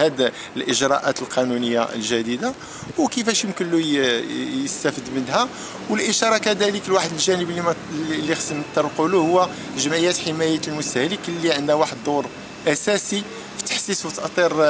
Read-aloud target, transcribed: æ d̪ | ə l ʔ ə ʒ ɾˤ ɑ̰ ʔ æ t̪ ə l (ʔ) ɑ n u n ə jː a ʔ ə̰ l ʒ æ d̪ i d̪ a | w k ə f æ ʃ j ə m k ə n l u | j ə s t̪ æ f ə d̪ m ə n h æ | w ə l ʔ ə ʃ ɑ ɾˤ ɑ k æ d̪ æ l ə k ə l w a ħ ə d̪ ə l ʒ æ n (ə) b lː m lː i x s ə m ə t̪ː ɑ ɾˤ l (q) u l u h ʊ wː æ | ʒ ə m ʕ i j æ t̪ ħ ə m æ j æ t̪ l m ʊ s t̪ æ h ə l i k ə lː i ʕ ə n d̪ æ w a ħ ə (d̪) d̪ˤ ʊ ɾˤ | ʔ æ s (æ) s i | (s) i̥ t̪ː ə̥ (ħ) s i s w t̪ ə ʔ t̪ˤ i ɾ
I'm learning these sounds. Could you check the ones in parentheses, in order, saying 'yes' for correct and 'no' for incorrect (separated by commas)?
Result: no, yes, yes, yes, yes, no, yes